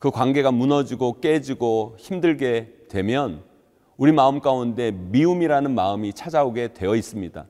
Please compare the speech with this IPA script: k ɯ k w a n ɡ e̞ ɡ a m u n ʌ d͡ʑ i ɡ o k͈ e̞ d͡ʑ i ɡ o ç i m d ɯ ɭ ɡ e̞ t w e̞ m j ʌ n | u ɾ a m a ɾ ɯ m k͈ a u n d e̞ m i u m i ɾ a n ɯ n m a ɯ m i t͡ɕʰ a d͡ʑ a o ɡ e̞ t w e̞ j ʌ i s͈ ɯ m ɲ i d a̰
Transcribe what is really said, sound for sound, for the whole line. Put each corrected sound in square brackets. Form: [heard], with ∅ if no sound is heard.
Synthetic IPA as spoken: k ɯ k w a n ɡ e̞ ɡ a m u n ʌ d͡ʑ i ɡ o k͈ e̞ d͡ʑ i ɡ o ç i m d ɯ ɭ ɡ e̞ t w e̞ m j ʌ n | u ɾ [i] m a [∅] ɯ m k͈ a u n d e̞ m i u m i ɾ a n ɯ n m a ɯ m i t͡ɕʰ a d͡ʑ a o ɡ e̞ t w e̞ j ʌ i s͈ ɯ m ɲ i d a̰